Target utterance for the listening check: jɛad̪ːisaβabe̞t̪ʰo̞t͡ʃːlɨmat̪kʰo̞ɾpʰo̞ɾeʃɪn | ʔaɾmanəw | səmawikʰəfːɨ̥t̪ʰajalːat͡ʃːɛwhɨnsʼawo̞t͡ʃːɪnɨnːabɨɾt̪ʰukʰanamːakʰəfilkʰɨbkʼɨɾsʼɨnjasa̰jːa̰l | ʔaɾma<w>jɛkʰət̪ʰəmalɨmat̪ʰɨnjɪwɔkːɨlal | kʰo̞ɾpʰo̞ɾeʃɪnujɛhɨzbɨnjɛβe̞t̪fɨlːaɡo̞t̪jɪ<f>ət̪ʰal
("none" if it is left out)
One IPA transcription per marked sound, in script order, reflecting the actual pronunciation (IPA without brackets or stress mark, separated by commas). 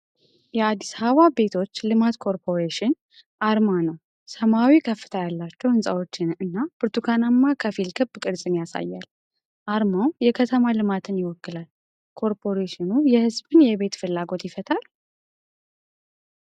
w, f